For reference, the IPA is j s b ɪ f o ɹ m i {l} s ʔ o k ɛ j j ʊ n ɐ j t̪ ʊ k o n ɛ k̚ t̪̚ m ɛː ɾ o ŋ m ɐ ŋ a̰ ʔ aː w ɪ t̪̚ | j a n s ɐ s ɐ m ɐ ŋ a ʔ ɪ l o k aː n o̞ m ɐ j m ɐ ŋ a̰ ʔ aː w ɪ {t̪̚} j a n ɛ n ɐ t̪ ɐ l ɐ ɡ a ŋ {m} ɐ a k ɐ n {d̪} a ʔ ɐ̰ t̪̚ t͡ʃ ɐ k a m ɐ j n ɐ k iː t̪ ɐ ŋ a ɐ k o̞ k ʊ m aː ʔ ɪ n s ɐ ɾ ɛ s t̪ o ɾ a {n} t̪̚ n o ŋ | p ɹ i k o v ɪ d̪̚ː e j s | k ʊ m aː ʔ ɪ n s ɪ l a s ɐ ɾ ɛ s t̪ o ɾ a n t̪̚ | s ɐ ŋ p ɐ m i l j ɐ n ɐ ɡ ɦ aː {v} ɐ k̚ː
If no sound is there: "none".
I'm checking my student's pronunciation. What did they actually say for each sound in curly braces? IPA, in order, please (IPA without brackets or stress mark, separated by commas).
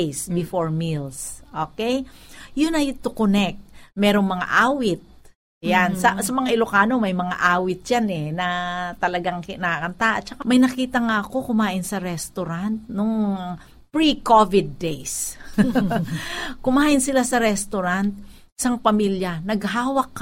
l, t̪̚, n, t̪, n, w